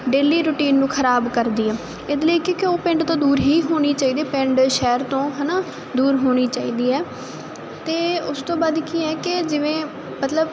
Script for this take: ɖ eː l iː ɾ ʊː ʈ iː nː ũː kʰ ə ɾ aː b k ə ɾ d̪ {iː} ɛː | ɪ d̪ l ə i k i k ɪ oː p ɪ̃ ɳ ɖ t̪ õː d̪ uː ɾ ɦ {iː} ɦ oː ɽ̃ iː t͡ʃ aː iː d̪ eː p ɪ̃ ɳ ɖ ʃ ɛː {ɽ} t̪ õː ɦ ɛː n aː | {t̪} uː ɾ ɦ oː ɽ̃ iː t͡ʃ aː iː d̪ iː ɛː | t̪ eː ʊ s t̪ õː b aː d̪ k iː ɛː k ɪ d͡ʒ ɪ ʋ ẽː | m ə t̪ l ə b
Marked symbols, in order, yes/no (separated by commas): yes, yes, no, no